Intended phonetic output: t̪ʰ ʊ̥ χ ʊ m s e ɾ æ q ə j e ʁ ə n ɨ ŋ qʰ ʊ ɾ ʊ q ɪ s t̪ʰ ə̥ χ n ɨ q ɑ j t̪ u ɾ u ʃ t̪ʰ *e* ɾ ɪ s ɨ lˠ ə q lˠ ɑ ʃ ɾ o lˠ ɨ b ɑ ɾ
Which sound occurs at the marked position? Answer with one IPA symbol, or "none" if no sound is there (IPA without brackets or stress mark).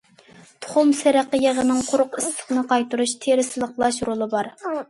e